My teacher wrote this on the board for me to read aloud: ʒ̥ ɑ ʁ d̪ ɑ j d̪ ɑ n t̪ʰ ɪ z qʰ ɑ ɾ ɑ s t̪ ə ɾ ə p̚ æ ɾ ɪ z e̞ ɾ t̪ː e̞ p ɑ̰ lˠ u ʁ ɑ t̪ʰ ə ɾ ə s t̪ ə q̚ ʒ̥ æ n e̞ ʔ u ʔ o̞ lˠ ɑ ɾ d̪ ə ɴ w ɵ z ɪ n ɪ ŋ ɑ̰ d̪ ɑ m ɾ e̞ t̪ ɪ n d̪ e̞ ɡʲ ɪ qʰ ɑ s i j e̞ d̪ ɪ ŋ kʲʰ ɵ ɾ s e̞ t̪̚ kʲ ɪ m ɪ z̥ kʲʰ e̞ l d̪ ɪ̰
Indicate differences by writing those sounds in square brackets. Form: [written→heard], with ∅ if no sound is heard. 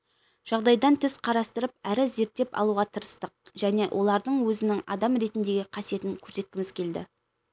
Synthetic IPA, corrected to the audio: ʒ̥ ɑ ʁ d̪ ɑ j d̪ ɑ n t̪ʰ ɪ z qʰ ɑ ɾ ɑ s t̪ ə ɾ ə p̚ æ ɾ ɪ z e̞ ɾ t̪ː e̞ p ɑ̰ lˠ u ʁ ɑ t̪ʰ ə ɾ ə s t̪ ə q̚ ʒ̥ æ n e̞ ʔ [u→w] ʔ o̞ lˠ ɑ ɾ d̪ ə ɴ w ɵ z ɪ n ɪ ŋ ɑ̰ d̪ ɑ m ɾ e̞ t̪ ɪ n d̪ e̞ ɡʲ ɪ qʰ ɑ s i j e̞ [d̪→t̪] ɪ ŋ kʲʰ ɵ ɾ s e̞ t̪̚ kʲ ɪ m ɪ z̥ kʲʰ e̞ l d̪ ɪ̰